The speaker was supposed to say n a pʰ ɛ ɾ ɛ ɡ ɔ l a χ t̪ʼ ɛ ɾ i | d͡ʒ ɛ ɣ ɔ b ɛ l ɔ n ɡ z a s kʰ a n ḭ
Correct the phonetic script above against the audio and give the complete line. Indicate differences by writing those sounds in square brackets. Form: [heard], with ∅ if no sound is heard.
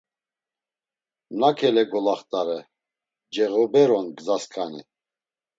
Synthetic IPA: n a [kʰ] ɛ [l] ɛ ɡ ɔ l a χ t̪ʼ [a] ɾ [ɛ] | d͡ʒ ɛ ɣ ɔ b ɛ [ɾ] ɔ n ɡ z a s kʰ a n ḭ